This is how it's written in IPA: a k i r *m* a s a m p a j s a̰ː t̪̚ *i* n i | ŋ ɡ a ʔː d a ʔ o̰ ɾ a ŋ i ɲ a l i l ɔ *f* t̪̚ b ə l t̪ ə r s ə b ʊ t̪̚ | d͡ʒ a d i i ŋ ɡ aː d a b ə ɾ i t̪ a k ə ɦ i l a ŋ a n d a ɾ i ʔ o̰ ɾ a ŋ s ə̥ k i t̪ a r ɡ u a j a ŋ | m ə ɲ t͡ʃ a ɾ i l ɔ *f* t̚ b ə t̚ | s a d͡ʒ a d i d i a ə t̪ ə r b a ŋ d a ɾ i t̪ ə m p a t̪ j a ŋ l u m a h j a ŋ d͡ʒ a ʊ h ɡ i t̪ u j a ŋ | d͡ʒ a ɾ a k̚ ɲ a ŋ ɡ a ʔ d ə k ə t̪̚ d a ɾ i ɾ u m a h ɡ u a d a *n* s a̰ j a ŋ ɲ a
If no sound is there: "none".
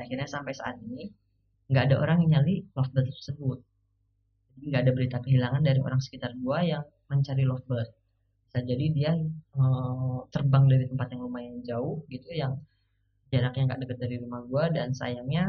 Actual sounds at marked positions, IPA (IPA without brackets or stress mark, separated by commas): ɲ, i, f, f, n